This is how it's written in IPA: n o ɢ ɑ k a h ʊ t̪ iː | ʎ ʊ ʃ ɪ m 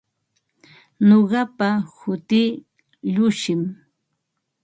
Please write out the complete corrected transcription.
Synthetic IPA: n o ɢ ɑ p a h ʊ t̪ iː | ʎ ʊ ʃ ɪ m